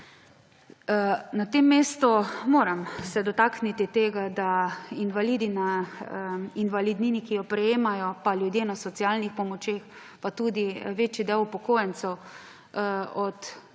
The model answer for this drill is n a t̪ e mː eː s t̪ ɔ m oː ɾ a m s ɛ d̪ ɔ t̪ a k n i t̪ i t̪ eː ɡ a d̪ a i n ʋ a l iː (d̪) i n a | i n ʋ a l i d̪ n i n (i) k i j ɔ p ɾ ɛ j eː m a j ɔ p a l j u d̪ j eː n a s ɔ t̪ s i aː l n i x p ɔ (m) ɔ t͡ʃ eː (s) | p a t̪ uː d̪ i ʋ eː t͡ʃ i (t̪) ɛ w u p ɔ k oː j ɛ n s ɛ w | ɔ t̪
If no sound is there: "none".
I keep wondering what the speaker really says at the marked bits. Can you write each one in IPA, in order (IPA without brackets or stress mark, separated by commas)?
d̪, i, m, x, d̪